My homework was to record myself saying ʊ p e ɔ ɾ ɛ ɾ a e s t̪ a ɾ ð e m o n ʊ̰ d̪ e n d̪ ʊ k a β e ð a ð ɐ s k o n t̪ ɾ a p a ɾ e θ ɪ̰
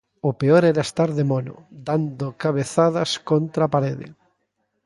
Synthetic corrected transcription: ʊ p e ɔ ɾ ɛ ɾ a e s t̪ a ɾ ð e m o n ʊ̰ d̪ a n d̪ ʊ k a β e θ a ð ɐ s k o n t̪ ɾ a p a ɾ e ð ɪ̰